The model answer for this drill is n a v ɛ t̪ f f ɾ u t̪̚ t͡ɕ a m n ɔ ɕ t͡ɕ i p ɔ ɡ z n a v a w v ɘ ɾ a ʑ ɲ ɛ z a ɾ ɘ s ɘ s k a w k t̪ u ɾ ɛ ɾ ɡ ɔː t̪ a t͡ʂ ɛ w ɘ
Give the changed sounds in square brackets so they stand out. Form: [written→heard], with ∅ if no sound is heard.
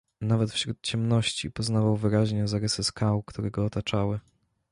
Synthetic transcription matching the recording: n a v ɛ t̪ f [f→ɕ] ɾ u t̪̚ t͡ɕ [a→ɛ] m n ɔ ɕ t͡ɕ i p ɔ [ɡ→∅] z n a v a w v ɘ ɾ a ʑ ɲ ɛ z a ɾ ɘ s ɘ s k a w k t̪ u ɾ ɛ [ɾ→∅] ɡ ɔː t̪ a t͡ʂ [ɛ→a] w ɘ